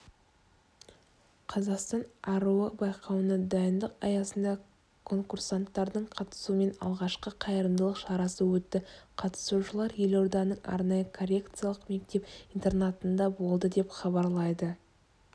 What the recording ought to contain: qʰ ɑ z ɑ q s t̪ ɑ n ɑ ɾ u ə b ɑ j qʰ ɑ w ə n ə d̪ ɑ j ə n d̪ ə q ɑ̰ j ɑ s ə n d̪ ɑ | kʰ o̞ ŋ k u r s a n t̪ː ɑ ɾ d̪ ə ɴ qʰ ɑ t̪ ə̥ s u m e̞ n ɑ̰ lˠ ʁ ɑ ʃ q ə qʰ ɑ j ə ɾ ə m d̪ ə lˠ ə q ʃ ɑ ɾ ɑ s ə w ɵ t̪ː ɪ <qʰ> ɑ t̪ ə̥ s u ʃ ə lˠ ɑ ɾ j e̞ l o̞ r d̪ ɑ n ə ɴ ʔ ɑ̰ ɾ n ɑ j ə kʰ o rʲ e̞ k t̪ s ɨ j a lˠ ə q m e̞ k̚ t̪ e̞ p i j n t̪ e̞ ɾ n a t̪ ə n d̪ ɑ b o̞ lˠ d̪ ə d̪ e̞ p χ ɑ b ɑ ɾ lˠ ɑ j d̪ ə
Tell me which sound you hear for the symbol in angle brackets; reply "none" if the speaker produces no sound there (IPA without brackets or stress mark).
qʰ